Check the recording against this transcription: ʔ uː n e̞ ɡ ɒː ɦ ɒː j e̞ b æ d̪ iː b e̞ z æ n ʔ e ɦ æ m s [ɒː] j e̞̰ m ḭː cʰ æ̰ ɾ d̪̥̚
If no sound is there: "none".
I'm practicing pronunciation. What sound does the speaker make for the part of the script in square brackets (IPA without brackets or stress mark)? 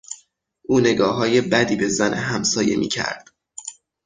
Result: ɒː